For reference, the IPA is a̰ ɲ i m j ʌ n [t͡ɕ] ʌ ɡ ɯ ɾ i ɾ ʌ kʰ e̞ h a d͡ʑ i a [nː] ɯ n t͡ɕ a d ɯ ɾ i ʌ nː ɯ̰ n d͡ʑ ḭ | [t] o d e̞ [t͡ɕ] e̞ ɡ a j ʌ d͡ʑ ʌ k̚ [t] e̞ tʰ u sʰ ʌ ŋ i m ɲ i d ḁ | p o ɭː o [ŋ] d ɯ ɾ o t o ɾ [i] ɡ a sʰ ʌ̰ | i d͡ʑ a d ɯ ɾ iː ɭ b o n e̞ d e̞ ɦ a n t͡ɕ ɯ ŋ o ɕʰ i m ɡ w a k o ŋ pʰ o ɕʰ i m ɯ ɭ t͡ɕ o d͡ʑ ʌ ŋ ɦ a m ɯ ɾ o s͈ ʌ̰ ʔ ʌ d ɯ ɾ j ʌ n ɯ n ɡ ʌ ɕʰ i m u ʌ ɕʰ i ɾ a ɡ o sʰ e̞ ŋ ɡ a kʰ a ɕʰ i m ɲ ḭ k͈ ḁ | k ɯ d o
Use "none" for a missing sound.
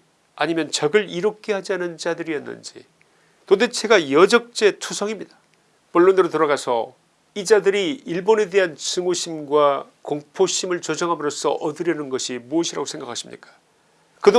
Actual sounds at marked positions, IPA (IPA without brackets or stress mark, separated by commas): t͡ɕ, n, t, t͡ɕʰ, t͡ɕ͈, n, a